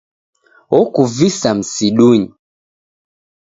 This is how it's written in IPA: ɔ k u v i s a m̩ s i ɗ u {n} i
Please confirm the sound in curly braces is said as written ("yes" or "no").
no